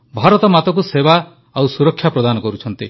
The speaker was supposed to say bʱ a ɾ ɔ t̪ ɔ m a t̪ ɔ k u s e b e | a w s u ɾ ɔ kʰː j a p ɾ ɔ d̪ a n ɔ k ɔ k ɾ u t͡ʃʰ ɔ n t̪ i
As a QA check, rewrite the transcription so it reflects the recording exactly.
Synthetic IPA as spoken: bʱ a ɾ ɔ t̪ ɔ m a t̪ ɔ k u s e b a | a w s u ɾ ɔ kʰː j a p ɾ ɔ d̪ a n ɔ k ɔ ɾ u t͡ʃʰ ɔ n t̪ i